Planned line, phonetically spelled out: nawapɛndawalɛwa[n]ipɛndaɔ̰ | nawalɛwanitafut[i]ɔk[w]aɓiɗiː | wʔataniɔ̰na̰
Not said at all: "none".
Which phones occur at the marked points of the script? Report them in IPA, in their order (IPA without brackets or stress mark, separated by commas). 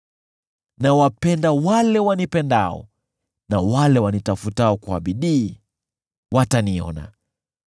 n, a, w